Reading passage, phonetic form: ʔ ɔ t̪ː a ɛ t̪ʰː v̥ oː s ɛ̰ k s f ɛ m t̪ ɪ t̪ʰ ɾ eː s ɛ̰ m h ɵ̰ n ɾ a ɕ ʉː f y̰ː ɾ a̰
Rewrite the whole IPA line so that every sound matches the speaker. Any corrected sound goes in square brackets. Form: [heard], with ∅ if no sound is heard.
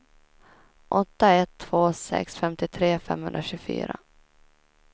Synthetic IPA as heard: ʔ ɔ t̪ː a ɛ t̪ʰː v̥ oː s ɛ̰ k s f ɛ m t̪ ɪ t̪ʰ ɾ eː [f] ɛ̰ m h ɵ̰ n ɾ a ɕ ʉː f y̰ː ɾ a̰